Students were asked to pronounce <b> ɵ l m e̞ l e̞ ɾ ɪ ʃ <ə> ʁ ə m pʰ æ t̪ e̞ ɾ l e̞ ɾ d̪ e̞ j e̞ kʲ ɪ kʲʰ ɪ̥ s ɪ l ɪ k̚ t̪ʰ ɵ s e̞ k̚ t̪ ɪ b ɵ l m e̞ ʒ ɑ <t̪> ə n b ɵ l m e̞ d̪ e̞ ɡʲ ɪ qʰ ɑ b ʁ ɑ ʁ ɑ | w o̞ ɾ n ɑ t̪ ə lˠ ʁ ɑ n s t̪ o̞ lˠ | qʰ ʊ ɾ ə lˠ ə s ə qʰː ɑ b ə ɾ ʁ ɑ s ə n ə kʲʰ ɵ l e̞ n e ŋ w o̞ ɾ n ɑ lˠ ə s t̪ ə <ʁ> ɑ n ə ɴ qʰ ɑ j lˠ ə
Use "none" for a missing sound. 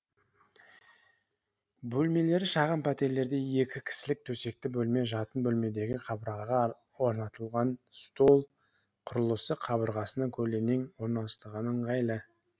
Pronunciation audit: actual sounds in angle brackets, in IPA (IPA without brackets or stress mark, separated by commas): b, ɑ, t̪, ʁ